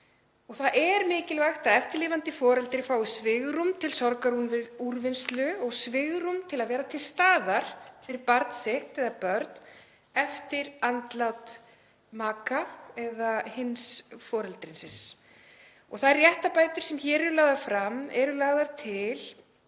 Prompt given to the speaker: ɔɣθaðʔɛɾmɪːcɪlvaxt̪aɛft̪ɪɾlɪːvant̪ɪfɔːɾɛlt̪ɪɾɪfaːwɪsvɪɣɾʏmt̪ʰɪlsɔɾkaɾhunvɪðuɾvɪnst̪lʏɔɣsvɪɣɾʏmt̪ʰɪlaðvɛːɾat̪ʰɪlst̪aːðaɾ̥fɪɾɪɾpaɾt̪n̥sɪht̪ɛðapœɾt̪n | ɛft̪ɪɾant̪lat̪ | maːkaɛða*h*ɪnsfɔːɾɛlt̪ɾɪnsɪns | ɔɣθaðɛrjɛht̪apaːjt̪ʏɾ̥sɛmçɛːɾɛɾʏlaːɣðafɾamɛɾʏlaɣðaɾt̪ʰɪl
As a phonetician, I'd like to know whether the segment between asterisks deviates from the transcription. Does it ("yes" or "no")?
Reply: no